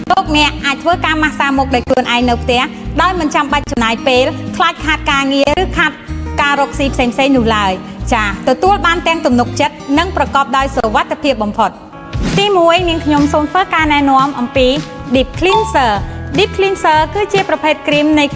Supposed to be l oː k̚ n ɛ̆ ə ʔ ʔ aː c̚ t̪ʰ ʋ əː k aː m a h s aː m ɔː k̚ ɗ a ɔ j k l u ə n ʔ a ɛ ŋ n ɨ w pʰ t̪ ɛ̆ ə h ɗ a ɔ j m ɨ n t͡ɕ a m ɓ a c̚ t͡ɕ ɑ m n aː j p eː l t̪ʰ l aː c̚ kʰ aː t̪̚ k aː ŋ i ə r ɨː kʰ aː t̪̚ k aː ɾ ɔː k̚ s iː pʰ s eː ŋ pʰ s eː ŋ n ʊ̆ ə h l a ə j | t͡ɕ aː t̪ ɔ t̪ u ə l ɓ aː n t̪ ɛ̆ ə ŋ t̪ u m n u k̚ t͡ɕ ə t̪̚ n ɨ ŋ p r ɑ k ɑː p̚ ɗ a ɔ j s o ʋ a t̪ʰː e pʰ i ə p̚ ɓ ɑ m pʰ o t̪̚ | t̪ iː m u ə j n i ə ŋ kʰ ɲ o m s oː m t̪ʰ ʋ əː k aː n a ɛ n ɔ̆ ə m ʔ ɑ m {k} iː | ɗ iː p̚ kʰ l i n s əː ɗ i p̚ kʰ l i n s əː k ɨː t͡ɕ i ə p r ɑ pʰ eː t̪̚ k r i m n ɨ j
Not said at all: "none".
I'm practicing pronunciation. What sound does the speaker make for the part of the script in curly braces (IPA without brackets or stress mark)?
p